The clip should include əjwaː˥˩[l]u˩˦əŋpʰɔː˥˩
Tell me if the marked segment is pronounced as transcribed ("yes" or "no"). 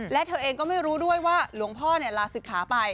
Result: yes